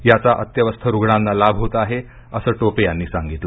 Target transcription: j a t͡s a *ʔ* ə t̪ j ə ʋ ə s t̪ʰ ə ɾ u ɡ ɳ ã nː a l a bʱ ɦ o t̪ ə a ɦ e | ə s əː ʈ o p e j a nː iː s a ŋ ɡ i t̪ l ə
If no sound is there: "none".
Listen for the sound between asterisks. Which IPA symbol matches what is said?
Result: ʔ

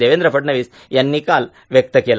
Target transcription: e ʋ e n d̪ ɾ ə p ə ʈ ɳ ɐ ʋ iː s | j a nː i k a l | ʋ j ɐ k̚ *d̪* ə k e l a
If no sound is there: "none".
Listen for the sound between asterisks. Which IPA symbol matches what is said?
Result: t̪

